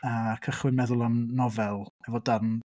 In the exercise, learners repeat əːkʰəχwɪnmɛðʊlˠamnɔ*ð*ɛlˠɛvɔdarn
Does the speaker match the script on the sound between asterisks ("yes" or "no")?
no